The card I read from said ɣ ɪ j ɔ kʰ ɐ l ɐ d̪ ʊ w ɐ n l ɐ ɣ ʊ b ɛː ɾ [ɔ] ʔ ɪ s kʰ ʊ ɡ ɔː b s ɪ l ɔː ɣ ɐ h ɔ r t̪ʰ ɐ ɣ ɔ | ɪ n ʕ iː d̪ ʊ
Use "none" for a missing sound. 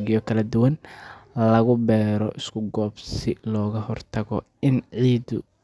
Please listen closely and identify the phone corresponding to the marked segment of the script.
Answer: ɔ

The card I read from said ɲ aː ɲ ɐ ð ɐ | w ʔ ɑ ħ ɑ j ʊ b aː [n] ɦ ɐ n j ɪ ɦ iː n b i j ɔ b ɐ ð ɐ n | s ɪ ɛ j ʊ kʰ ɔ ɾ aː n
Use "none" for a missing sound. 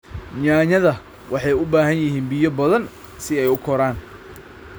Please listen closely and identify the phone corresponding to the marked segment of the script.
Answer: none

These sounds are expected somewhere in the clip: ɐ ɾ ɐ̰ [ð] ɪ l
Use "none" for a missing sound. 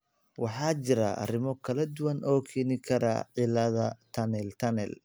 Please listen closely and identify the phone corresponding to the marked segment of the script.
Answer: ʕ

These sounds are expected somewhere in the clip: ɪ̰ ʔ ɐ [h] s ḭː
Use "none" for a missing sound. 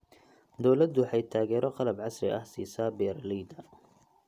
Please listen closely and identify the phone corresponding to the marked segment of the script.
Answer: h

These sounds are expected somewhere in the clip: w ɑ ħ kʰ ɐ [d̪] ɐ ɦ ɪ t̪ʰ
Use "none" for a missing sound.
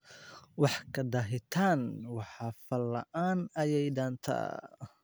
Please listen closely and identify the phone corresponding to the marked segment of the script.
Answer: d̪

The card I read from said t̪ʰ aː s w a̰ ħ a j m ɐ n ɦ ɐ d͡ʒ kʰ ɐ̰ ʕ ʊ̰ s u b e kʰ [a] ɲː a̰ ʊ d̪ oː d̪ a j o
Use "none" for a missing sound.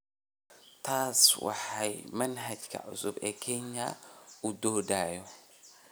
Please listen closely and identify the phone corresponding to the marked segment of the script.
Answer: e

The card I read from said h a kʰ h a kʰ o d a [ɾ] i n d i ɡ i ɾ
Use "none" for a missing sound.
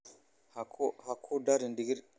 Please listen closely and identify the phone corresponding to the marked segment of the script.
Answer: ɾ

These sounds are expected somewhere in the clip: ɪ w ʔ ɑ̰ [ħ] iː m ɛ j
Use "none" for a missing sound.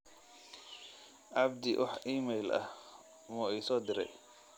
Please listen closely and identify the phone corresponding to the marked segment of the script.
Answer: ħ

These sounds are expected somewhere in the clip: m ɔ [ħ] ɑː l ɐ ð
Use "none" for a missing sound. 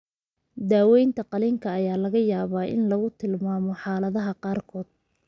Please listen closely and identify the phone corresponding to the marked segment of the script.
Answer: ħ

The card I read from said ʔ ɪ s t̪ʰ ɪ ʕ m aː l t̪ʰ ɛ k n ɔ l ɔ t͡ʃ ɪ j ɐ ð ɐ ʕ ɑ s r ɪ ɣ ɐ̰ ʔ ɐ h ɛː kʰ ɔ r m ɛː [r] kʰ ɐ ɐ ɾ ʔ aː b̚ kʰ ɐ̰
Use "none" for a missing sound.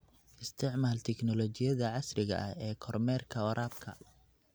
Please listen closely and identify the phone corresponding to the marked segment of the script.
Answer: r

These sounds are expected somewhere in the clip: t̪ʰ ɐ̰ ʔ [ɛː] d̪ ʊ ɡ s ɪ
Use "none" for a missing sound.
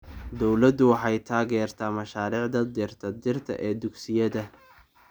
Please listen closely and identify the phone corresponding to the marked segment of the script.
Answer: ɛː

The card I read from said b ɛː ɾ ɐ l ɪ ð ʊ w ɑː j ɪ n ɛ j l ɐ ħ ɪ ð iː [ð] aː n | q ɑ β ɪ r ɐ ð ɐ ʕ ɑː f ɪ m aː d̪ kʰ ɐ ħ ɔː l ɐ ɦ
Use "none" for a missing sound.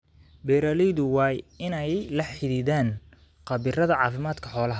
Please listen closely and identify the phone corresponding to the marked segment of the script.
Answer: ð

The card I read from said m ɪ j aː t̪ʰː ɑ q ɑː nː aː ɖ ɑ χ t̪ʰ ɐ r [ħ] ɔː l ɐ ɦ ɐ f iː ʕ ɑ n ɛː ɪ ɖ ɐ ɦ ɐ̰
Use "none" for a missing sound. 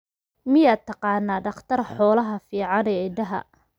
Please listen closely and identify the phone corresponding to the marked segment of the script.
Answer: ħ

